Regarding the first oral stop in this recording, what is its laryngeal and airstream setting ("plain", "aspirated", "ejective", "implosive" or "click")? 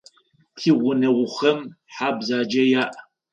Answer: aspirated